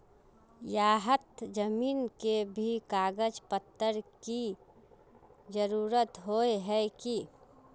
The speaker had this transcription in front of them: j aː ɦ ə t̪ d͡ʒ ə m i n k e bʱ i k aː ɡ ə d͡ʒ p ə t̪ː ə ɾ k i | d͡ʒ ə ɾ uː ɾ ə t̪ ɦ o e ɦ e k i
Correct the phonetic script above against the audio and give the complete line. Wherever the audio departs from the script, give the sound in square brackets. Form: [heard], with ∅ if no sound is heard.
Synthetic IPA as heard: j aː ɦ ə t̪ d͡ʒ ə m [iː] n k e bʱ i k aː ɡ ə d͡ʒ p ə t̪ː ə ɾ k i | d͡ʒ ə ɾ uː ɾ ə t̪ ɦ o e ɦ [ɛ] k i